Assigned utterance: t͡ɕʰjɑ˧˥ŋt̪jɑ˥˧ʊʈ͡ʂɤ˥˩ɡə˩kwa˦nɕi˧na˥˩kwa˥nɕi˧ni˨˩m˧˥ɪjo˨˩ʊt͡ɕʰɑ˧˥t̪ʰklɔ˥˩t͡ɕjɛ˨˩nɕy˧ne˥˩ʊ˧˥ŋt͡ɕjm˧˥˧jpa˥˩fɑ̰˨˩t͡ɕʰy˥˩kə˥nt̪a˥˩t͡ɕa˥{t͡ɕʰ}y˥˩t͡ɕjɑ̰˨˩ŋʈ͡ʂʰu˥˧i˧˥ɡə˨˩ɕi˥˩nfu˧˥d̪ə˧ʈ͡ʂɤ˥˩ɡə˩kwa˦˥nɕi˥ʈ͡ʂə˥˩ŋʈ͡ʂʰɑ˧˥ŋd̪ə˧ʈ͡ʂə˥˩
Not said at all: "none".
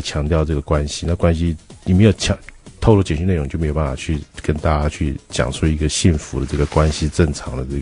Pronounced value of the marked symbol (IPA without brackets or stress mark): t͡ɕʰ